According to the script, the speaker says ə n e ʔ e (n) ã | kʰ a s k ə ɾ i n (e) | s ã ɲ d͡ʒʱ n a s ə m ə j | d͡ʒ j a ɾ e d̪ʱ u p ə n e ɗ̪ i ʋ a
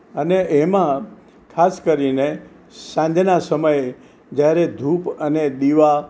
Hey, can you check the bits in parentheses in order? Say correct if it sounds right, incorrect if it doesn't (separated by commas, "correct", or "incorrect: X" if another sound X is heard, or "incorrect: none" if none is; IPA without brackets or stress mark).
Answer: incorrect: m, correct